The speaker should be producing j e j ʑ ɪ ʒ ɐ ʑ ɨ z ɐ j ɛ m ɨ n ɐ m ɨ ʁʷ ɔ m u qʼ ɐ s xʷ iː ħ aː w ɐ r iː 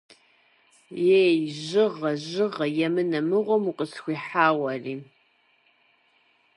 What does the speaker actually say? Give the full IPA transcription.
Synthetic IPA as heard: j e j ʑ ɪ ʁ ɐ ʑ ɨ ʁ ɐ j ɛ m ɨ n ɐ m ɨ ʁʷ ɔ m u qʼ ə s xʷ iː ħ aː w ɐ r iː

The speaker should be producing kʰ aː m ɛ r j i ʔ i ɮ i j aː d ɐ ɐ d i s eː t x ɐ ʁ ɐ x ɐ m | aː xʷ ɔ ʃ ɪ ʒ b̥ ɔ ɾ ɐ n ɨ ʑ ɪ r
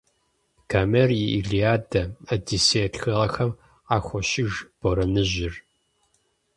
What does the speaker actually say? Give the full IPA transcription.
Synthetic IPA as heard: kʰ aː m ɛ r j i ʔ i ɮ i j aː d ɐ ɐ d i s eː t x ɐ ʁ ɐ x ɐ m | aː xʷ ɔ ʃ ɪ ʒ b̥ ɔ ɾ ɐ n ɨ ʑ ɪ r

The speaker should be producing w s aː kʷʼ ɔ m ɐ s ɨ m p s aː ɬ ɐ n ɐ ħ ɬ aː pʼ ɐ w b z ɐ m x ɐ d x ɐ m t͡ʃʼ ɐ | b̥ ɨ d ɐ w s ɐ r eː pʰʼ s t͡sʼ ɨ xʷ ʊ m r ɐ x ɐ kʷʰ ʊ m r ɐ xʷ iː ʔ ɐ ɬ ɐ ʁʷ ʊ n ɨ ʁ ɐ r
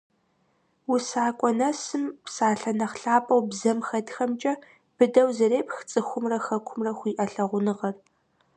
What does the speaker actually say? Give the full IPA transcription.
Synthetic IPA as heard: w s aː kʷʼ ɔ n ɐ s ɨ m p s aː ɬ ɐ n ɐ χ ɬ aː pʼ ɐ w b z ɐ m x ɐ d x ɐ m t͡ʃʼ ɐ | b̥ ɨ d ɐ w z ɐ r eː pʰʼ x t͡sʼ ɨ xʷ ʊ m r ɐ x ɐ kʷʰ ʊ m r ɐ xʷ iː ʔ ɐ ɬ ɐ ʁʷ ʊ n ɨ ʁ ɐ r

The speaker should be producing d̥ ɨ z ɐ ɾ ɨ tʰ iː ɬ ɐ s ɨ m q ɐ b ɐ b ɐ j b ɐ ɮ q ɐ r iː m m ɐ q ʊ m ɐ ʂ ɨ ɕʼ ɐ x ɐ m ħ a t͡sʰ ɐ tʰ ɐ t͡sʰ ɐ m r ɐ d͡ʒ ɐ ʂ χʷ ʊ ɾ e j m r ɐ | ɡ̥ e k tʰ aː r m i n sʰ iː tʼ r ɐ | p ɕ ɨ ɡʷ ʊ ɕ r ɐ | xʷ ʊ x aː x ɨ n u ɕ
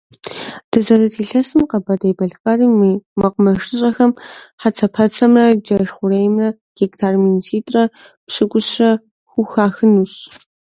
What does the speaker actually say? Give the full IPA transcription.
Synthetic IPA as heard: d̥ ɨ z ɐ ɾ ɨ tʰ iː ɬ ɐ s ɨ m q ɐ b ɐ d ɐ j b ɐ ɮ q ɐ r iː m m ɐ q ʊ m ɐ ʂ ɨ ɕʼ ɐ x ɐ m ħ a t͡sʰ ɐ pʰ ɐ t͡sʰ ɐ m r ɐ d͡ʒ ɐ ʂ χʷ ʊ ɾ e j m r ɐ | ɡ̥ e k tʰ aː r m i n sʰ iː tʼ r ɐ | p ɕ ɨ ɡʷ ʊ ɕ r ɐ | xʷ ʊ x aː x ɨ n u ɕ

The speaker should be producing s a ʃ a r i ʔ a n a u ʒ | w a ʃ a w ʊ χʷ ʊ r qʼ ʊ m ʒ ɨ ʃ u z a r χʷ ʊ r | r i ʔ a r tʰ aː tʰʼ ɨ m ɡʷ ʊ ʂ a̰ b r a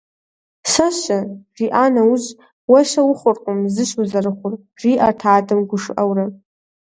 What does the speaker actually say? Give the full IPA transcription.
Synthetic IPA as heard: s a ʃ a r i ʔ a n a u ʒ | w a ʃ a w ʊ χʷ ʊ r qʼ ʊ m z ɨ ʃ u z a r χʷ ʊ r | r i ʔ a r tʰ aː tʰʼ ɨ m ɡʷ ʊ ʂ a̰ w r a

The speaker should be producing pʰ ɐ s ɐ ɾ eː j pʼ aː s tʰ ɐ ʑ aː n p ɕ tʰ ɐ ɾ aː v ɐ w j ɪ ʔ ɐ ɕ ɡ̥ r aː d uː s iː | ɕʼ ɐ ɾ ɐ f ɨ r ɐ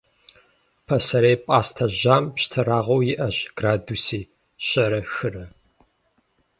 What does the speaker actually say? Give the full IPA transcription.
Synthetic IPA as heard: pʰ ɐ s ɐ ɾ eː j pʼ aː s tʰ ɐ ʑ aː m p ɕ tʰ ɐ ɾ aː ʁ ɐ w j ɪ ʔ ɐ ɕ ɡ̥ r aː d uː s iː | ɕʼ ɐ ɾ ɐ x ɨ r ɐ

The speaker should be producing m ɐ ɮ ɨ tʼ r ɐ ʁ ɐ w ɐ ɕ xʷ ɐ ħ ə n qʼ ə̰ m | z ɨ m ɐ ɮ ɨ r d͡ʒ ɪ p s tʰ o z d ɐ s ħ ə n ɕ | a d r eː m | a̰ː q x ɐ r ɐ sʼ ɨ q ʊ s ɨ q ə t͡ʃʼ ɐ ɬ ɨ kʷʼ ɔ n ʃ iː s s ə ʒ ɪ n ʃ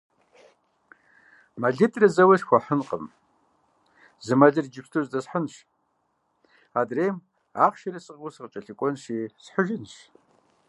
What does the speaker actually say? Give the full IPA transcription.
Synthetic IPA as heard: m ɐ ɮ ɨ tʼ r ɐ z ɐ w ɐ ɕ xʷ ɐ ħ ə n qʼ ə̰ m | z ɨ m ɐ ɮ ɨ r d͡ʒ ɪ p s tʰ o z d ɐ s ħ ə n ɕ | a d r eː m | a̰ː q ʃ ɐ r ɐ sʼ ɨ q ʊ s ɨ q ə t͡ʃʼ ɐ ɬ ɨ kʷʼ ɔ n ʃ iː s ħ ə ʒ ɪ n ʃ

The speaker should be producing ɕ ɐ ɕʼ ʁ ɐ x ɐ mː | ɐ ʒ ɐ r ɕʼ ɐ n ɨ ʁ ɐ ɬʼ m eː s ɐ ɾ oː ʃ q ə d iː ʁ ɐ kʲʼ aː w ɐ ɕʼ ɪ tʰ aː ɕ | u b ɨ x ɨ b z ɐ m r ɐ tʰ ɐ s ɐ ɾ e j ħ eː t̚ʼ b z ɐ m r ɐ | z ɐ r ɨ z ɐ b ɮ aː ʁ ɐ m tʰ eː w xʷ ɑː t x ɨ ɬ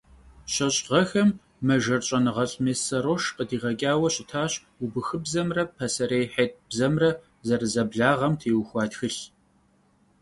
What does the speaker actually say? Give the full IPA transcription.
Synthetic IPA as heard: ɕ ɐ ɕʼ ʁ ɐ x ɐ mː | ɐ ʒ ɐ r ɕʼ ɐ n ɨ ʁ ɐ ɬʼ m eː s ɐ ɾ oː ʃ q ə d iː ʁ ɐ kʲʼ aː w ɐ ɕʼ ɪ tʰ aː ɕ | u b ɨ x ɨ b z ɐ m r ɐ pʰ ɐ s ɐ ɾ e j ħ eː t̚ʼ b z ɐ m r ɐ | z ɐ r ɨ z ɐ b ɮ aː ʁ ɐ m tʰ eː w xʷ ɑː t x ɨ ɬ

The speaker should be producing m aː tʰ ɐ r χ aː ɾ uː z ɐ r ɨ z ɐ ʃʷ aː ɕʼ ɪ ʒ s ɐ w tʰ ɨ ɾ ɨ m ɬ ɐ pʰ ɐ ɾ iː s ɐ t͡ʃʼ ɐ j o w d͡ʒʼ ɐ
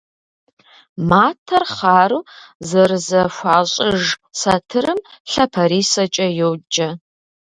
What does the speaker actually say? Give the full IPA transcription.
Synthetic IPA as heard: m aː tʰ ɐ r χ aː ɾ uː z ɐ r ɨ z ɐ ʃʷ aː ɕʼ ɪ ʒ s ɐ tʰ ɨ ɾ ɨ m ɬ ɐ pʰ ɐ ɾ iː s ɐ t͡ʃʼ ɐ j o w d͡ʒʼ ɐ

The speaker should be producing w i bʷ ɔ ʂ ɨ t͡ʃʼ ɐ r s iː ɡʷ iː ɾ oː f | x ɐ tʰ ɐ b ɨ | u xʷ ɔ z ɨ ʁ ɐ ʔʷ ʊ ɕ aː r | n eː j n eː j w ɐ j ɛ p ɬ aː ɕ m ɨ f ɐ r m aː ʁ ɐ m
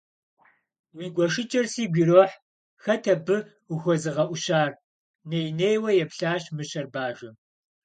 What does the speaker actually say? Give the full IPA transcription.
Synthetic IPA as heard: w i ɡʷ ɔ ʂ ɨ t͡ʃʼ ɐ r s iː ɡʷ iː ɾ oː ħ | x ɐ tʰ ɐ b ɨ | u xʷ ɔ z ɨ ʁ ɐ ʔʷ ʊ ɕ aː r | n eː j n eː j w ɐ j ɛ p ɬ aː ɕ m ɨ ɕ ɐ r b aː ʒ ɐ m

